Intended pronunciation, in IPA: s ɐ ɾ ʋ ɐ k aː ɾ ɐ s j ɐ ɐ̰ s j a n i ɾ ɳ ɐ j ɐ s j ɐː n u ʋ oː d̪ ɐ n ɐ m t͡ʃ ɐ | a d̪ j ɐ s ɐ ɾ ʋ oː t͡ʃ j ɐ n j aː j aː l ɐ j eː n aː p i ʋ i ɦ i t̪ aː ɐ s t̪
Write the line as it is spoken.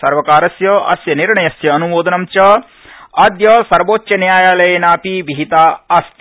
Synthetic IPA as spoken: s ɐ ɾ ʋ ɐ k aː ɾ ɐ s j ɐ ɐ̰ s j ɐ n i ɾ ɳ ɐ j ɐ s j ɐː n u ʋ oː d̪ ɐ n ɐ m t͡ʃ ɐ | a d̪ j ɐ s ɐ ɾ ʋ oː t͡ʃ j ɐ n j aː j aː l ɐ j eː n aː p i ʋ i ɦ i t̪ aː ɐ s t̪